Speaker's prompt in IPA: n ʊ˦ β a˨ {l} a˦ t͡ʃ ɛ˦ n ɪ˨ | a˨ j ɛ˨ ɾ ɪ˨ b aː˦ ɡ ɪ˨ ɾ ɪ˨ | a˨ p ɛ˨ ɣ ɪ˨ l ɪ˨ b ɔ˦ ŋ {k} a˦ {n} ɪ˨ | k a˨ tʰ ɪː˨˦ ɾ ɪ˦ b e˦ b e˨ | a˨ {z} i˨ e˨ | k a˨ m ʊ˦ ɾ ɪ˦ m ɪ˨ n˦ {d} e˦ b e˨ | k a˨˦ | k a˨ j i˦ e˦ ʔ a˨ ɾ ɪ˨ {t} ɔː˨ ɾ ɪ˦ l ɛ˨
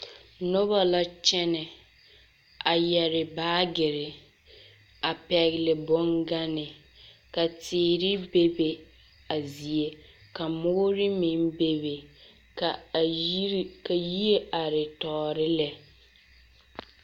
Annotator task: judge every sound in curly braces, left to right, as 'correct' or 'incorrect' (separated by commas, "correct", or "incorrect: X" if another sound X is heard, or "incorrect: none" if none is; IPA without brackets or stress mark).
correct, incorrect: ɡ, correct, correct, incorrect: b, correct